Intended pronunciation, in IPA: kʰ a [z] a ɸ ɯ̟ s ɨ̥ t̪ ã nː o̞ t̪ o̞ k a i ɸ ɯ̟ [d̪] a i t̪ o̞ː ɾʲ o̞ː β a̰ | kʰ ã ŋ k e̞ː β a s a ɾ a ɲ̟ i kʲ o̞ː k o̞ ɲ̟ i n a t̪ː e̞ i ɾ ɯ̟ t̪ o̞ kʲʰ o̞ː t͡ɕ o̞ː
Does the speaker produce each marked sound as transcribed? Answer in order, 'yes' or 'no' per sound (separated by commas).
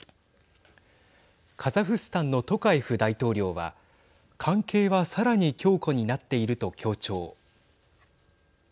yes, yes